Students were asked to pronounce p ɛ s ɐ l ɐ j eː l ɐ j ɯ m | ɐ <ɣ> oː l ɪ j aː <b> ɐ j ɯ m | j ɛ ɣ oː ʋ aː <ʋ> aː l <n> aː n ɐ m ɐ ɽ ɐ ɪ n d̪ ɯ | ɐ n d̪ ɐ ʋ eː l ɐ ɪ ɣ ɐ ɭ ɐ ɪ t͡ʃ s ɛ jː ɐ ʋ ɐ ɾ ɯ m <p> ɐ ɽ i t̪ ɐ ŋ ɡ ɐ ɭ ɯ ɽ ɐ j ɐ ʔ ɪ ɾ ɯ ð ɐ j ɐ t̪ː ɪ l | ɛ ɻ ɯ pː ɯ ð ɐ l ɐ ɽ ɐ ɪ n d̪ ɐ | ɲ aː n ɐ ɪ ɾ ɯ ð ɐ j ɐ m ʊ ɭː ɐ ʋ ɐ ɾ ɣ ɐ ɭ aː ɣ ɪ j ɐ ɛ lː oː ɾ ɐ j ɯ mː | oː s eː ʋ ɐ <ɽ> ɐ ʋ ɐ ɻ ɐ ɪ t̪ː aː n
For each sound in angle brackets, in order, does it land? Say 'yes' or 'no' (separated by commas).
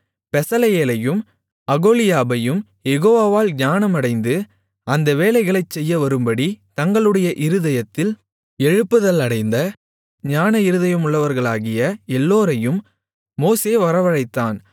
yes, yes, yes, no, no, no